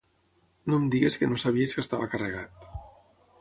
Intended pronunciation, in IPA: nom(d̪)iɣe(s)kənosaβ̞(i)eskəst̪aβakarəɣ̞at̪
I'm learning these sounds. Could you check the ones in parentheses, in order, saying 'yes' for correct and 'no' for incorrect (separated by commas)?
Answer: yes, yes, yes